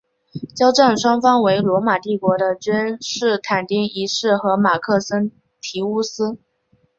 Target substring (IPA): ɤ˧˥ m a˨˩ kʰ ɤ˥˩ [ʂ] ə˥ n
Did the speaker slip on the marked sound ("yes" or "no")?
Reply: yes